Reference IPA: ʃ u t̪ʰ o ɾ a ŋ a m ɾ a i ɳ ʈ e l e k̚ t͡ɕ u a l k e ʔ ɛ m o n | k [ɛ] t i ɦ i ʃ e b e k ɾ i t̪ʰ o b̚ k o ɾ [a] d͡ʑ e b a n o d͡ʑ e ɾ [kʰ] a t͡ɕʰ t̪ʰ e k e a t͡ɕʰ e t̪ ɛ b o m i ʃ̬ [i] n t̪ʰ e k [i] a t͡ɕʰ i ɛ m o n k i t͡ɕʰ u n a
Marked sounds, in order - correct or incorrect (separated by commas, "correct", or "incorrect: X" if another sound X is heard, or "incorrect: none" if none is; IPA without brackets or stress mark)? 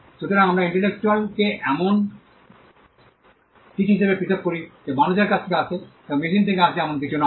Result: incorrect: i, incorrect: i, incorrect: k, correct, incorrect: e